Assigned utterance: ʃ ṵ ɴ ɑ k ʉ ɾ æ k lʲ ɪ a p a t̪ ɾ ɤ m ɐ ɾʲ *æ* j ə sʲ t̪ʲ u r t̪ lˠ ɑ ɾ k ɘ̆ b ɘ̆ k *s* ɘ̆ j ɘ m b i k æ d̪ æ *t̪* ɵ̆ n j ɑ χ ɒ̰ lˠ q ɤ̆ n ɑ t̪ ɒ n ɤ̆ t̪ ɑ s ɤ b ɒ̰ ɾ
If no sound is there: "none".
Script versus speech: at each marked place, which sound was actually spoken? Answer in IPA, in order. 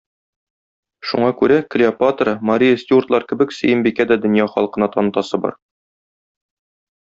i, s, d̪

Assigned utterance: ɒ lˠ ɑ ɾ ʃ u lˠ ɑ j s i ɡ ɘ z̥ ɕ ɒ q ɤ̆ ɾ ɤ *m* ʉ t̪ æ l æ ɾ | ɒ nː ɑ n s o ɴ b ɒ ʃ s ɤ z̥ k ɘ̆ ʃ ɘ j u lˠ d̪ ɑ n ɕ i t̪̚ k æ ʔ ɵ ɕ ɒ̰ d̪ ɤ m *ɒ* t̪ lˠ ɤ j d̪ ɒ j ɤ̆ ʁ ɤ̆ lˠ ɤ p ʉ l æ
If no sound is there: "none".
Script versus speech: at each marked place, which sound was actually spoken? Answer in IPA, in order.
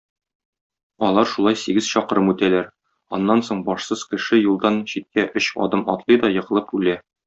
m, ɒ

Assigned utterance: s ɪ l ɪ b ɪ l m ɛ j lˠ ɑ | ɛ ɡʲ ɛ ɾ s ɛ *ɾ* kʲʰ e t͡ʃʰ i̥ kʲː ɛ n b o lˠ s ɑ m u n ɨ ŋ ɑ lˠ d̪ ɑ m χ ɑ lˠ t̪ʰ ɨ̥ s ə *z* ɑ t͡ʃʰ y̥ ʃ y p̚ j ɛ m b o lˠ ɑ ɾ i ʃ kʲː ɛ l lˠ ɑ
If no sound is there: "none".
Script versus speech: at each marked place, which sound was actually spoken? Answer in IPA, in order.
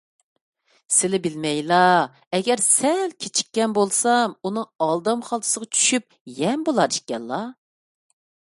l, ʁ

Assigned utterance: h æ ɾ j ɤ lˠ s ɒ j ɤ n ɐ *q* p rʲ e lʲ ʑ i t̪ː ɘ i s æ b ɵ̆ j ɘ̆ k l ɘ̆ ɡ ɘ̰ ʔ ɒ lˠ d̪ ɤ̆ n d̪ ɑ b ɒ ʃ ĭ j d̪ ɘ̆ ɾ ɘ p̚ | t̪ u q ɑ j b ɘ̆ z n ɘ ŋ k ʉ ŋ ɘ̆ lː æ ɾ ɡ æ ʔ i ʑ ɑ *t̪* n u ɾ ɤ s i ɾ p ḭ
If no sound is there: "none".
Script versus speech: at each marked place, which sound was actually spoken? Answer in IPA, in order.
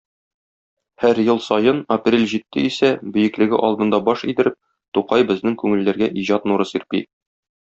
none, t̪

